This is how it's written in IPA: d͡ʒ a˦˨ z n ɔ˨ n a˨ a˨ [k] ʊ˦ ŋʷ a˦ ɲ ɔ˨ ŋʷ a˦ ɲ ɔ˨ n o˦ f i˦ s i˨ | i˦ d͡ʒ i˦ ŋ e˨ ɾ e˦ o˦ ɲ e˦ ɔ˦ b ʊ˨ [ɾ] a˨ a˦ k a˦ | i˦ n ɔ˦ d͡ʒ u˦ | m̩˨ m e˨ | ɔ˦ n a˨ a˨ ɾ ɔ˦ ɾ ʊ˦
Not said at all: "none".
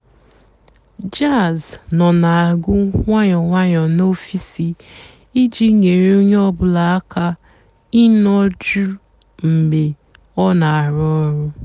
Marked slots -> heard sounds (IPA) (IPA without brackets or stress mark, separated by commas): ɡ, l